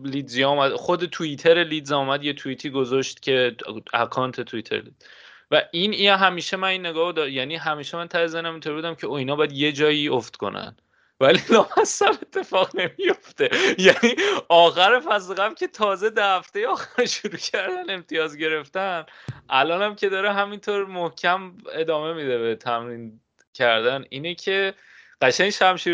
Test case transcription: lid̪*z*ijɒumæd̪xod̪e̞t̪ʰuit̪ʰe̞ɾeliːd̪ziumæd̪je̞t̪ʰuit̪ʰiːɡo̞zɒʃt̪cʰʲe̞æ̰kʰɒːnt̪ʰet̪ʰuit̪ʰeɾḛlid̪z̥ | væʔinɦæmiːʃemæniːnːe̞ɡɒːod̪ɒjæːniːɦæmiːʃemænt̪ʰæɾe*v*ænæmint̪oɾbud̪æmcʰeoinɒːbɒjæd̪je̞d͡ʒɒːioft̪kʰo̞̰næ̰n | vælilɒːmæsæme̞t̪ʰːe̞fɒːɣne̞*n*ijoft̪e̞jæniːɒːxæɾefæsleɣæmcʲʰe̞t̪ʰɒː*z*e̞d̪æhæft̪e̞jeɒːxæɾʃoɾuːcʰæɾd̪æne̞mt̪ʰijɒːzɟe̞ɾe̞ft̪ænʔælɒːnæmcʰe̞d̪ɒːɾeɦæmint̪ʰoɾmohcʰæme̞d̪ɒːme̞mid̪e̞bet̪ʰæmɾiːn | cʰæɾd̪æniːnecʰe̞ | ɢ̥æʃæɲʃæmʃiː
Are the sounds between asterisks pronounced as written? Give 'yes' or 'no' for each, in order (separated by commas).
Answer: yes, no, no, yes